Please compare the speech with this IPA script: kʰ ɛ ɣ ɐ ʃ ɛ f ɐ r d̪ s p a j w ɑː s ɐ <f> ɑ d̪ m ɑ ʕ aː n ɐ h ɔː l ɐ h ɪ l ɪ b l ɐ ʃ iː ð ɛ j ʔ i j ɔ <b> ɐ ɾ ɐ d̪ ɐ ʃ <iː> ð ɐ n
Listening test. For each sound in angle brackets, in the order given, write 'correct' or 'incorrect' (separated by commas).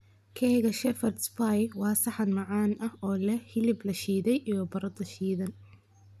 incorrect, correct, correct